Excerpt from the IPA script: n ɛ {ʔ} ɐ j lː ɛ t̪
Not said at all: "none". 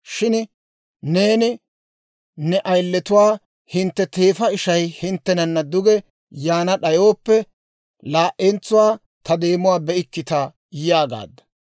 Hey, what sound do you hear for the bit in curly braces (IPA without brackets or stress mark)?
ʔ